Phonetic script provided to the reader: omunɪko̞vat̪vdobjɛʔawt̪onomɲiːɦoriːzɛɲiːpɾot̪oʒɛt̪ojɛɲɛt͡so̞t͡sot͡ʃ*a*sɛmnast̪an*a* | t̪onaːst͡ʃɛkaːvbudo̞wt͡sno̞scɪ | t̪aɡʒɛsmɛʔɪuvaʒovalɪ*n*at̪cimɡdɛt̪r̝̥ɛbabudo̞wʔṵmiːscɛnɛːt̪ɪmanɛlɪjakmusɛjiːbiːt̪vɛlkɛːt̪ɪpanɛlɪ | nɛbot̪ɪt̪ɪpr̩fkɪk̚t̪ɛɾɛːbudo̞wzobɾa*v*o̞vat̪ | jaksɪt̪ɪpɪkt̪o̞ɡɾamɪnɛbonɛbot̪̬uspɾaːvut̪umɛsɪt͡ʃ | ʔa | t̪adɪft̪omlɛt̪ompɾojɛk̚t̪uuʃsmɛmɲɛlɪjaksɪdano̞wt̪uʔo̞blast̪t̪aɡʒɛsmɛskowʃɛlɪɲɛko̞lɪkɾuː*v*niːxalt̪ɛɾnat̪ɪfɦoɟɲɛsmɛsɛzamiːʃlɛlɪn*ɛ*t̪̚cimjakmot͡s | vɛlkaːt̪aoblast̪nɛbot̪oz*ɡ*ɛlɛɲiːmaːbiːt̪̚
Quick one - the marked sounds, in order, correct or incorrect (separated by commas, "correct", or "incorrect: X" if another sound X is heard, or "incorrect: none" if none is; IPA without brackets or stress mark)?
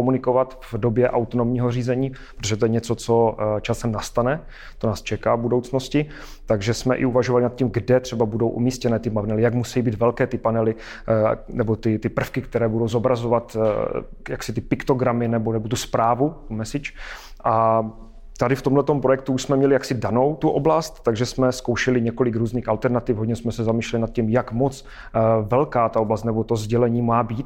correct, incorrect: ɛ, correct, incorrect: z, incorrect: z, incorrect: a, incorrect: ɟ